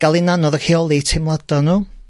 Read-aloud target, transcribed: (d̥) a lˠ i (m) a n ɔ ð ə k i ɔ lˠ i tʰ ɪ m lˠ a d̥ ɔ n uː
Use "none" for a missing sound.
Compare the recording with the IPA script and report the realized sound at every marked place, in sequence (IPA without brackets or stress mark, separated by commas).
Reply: ɡ̥, n